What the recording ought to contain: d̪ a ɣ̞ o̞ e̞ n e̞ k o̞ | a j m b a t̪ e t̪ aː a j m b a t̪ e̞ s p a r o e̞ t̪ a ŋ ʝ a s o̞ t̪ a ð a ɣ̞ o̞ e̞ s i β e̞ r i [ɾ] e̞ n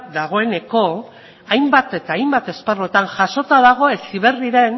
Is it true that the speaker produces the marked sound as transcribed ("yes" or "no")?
yes